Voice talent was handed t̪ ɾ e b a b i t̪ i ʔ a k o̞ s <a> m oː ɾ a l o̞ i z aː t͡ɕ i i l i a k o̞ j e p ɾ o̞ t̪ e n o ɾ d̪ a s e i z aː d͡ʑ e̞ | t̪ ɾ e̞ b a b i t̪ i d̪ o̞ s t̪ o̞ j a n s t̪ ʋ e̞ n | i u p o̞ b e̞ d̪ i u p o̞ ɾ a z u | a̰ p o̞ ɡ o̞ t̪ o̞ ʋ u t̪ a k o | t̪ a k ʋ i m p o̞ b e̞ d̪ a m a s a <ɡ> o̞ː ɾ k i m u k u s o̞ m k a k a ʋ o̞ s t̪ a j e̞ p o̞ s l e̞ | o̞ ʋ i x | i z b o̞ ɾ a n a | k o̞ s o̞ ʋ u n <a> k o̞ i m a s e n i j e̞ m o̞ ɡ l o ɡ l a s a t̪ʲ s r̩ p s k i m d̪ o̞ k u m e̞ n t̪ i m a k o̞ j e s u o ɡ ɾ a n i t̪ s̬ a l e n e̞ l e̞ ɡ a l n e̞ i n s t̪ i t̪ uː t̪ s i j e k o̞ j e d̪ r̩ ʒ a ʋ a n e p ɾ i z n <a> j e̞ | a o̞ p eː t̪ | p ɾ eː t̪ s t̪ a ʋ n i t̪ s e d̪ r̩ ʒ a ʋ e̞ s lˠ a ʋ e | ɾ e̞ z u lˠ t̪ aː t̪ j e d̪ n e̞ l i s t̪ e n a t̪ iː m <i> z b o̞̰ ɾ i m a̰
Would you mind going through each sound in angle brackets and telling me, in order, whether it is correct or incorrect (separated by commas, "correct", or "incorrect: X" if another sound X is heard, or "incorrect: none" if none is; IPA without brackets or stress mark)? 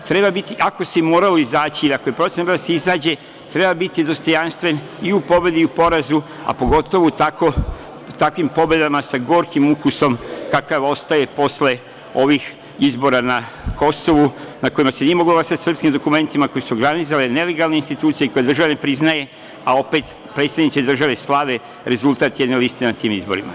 incorrect: e, correct, correct, correct, correct